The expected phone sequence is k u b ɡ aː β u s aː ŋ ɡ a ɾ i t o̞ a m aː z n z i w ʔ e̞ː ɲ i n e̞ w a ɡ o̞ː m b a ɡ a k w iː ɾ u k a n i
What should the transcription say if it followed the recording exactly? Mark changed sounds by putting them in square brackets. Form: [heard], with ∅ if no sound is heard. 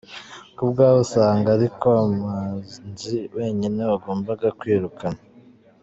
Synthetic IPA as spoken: k u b ɡ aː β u s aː ŋ ɡ a ɾ i [k] o̞ a m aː z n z i w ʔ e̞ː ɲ i n e̞ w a ɡ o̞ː m b a ɡ a k w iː ɾ u k a n [a]